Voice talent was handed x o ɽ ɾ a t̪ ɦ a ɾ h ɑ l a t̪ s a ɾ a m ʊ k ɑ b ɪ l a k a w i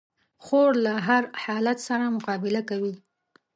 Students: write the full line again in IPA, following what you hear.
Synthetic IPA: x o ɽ l a ɦ a ɾ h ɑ l a t̪ s a ɾ a m ʊ q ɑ b ɪ l a k a w i